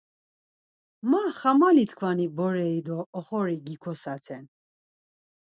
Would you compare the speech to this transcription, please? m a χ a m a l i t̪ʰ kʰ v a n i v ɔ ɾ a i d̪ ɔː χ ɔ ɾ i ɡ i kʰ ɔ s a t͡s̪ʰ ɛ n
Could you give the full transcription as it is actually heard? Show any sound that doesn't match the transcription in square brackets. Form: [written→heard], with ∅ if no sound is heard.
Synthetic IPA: m a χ a m a l i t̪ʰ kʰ v a n i [v→b] ɔ ɾ [a→ɛ] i d̪ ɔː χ ɔ ɾ i ɡ i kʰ ɔ s a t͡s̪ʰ ɛ n